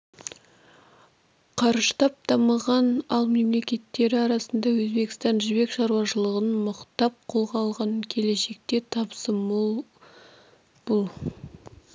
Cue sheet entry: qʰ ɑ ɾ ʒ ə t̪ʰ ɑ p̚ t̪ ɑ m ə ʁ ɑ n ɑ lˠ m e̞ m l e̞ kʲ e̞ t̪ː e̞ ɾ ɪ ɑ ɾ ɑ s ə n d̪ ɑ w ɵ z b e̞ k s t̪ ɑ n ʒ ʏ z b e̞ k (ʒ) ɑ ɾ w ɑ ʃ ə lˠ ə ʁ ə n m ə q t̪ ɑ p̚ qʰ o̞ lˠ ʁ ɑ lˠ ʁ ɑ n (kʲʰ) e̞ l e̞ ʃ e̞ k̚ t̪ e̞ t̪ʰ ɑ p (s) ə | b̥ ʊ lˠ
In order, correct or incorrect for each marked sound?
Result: incorrect: ʃ, correct, correct

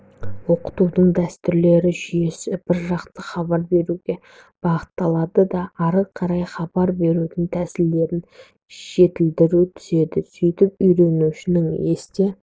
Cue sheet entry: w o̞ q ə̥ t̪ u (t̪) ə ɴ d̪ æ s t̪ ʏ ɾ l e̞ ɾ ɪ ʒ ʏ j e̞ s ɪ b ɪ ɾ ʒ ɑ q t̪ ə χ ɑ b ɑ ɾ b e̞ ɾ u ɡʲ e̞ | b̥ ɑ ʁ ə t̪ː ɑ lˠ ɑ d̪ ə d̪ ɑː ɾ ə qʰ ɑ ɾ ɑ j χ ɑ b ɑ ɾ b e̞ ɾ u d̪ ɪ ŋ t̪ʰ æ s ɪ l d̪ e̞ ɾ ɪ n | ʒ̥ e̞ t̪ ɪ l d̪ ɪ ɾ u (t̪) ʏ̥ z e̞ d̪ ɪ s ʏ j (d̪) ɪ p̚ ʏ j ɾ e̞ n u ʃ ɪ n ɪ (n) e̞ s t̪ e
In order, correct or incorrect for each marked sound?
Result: incorrect: d̪, incorrect: t̪ʰ, incorrect: t̪, incorrect: ŋ

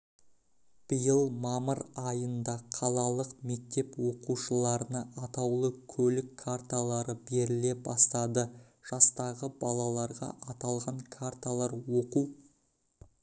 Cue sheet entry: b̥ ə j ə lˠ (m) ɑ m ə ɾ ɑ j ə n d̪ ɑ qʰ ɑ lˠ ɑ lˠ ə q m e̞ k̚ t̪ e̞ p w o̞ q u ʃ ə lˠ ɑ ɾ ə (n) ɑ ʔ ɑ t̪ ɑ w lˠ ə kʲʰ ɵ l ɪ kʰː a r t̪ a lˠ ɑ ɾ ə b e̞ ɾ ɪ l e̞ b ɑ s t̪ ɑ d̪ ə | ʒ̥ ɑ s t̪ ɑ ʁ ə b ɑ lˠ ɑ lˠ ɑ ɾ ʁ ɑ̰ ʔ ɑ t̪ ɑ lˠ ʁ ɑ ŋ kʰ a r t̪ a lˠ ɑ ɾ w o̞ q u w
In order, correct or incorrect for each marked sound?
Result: correct, correct

